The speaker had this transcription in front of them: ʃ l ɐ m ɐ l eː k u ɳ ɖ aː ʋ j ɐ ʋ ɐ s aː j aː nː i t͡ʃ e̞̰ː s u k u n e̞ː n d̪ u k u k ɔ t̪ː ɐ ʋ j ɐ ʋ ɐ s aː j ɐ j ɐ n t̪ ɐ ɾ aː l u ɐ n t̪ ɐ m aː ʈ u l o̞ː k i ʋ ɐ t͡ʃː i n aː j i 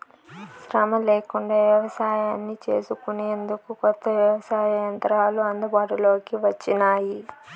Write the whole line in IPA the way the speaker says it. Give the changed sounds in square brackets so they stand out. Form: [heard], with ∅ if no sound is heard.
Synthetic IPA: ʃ [ɾ] ɐ m ɐ l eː k u ɳ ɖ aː ʋ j ɐ ʋ ɐ s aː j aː nː i t͡ʃ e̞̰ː s u k u n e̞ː n d̪ u k u k ɔ t̪ː ɐ ʋ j ɐ ʋ ɐ s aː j ɐ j ɐ n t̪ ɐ ɾ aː l u ɐ n [d̪] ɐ [b] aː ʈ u l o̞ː k i ʋ ɐ t͡ʃː i n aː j i